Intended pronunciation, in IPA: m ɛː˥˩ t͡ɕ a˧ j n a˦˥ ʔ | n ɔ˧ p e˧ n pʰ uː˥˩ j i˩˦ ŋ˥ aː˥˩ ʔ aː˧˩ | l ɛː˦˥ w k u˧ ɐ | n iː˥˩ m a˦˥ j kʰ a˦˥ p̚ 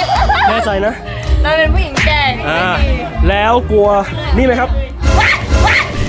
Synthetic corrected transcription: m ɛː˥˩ t͡ɕ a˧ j n a˦˥ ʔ | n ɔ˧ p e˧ n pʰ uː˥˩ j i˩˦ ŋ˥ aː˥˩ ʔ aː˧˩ | l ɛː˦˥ w k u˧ ɐ | n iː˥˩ m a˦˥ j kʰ a˦˥ p̚

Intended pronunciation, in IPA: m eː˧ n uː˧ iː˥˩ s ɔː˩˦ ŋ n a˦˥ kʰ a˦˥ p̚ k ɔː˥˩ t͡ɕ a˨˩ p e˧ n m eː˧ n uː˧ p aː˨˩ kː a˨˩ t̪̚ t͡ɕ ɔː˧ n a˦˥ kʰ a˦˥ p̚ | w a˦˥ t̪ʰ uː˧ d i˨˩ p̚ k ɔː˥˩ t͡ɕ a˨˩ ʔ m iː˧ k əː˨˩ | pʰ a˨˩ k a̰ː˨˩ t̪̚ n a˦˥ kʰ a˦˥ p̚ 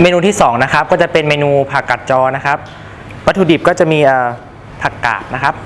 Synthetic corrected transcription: m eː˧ n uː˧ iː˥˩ s ɔː˩˦ ŋ n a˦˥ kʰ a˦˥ p̚ k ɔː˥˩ t͡ɕ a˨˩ p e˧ n m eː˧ n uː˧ pʰ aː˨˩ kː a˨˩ t̪̚ t͡ɕ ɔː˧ n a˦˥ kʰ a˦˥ p̚ | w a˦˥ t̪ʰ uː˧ d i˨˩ p̚ k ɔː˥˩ t͡ɕ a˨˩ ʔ m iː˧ ʔ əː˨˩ | pʰ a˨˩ k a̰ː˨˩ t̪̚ n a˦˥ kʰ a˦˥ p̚

